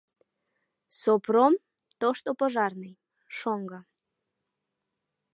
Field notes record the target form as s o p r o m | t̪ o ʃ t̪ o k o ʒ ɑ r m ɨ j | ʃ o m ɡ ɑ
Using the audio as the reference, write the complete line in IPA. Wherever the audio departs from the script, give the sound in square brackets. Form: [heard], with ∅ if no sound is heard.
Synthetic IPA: s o p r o m | t̪ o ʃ t̪ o [p] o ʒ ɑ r [n] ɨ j | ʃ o [ŋ] ɡ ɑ